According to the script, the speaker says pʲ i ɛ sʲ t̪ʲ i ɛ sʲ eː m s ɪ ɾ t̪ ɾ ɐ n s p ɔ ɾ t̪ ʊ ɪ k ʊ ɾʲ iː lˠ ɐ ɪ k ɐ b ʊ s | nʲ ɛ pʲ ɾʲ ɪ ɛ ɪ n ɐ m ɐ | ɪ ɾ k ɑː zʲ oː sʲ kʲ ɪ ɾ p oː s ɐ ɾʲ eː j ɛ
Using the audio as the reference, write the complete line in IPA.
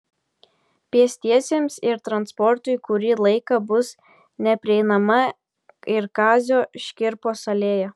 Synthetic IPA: pʲ i ɛ sʲ t̪ʲ i ɛ sʲ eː m s ɪ ɾ t̪ ɾ ɐ n s p ɔ ɾ t̪ ʊ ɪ k ʊ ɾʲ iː lˠ ɐ ɪ k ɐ b ʊ s | nʲ ɛ pʲ ɾʲ ɪ ɛ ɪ n ɐ m ɐ | ɪ ɾ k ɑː zʲ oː ʃʲ kʲ ɪ ɾ p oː s ɐ lʲ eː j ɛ